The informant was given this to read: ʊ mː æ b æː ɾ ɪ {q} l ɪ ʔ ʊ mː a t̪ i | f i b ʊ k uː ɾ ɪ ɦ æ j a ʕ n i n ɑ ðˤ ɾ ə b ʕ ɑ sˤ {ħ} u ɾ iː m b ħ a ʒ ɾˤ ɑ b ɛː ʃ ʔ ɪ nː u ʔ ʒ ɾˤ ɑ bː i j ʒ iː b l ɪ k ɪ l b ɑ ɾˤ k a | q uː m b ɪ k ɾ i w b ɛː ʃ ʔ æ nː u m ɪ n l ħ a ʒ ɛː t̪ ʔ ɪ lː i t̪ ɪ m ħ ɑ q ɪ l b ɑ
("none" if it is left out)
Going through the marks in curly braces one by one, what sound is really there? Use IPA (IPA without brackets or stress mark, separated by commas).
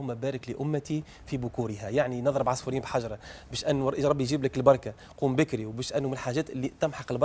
k, f